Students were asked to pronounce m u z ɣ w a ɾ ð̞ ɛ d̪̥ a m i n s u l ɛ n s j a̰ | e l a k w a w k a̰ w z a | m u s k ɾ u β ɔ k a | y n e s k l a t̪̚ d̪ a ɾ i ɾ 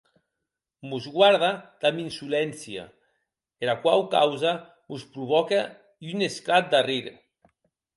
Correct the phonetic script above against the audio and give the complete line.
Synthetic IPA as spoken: m u z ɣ w a ɾ ð̞ a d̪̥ a m i n s u l ɛ n s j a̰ | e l a k w a w k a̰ w z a | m u s p ɾ u β ɔ k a | y n e s k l a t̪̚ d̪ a r i ɾ